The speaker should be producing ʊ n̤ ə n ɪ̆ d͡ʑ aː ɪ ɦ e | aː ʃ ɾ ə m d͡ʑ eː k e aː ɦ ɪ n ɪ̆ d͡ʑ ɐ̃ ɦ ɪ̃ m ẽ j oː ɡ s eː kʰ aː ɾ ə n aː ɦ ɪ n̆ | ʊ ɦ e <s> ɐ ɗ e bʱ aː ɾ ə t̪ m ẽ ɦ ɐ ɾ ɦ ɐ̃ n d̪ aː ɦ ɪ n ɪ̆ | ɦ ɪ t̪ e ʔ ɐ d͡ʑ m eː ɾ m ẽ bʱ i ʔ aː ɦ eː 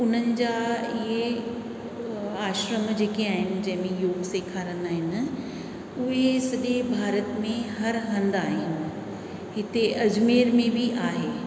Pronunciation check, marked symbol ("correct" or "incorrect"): correct